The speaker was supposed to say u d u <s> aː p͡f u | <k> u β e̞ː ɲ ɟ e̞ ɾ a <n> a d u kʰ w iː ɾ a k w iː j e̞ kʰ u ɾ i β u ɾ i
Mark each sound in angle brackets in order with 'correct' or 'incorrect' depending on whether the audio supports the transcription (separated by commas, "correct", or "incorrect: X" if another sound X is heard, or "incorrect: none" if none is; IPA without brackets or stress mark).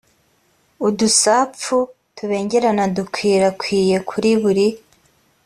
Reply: correct, incorrect: t, correct